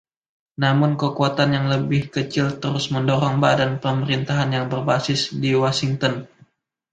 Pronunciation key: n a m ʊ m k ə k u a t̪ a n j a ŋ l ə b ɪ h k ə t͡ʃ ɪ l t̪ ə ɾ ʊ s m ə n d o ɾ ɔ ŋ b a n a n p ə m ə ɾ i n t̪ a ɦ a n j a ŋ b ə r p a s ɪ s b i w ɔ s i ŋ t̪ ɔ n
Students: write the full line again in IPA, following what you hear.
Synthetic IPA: n a m ʊ n k ə k u a t̪ a n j a ŋ l ə b ɪ h k ə t͡ʃ ɪ l t̪ ə ɾ ʊ s m ə n d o ɾ ɔ ŋ b a d a n p ə m ə ɾ i n t̪ a ɦ a n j a ŋ b ə r b a s ɪ s d i w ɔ s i ŋ t̪ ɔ n